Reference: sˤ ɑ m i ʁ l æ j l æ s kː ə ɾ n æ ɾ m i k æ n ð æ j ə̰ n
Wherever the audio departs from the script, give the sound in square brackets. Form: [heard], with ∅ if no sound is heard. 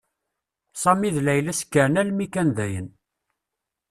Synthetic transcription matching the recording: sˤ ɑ m i [ð] l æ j l æ s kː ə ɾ n æ [l] m i k æ n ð æ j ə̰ n